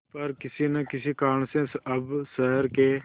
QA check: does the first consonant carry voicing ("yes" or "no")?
no